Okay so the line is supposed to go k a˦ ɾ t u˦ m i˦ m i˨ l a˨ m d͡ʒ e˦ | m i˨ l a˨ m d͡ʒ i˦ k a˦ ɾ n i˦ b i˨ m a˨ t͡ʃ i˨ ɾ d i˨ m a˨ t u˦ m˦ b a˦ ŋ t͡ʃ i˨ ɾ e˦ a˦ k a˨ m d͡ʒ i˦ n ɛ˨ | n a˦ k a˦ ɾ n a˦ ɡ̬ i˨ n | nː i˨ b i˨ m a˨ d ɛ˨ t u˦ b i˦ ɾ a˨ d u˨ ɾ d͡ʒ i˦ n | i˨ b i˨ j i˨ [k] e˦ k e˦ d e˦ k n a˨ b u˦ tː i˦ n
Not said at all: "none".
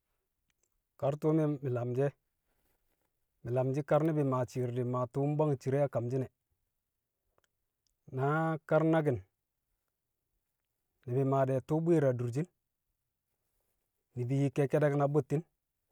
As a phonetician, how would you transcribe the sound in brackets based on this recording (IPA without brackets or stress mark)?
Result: k